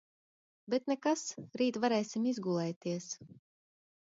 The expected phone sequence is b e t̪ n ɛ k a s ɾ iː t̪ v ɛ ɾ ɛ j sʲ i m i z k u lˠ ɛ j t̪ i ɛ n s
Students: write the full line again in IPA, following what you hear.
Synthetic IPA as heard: b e t̪ n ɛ k a s ɾ iː t̪ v a ɾ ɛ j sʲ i m i z ɡ u lˠ ɛ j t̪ i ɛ s